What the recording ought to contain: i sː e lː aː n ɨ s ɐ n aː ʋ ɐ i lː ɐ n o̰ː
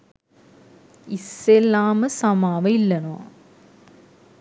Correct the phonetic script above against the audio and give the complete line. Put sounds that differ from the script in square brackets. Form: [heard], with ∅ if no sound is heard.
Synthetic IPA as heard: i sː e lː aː [m] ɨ s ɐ [m] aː ʋ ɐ i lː ɐ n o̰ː